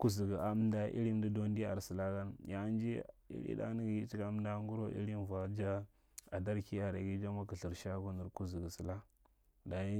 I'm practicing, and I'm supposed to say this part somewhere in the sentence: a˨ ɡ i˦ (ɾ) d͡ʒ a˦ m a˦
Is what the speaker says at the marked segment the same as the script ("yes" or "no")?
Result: no